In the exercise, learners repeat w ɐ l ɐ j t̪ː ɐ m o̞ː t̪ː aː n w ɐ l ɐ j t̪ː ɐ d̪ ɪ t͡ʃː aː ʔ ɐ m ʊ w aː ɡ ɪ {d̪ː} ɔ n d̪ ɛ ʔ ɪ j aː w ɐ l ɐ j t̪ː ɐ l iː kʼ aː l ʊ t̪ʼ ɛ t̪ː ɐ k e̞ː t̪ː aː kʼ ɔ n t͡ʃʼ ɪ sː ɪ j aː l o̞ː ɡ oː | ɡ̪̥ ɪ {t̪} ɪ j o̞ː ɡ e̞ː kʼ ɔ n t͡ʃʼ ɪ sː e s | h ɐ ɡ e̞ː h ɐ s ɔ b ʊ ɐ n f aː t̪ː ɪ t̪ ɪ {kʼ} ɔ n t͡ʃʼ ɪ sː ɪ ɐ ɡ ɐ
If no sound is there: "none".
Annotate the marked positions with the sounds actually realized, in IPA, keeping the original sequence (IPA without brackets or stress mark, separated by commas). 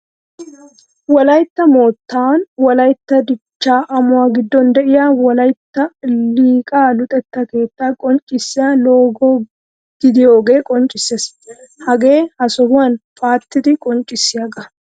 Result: d̪ː, d̪, kʼ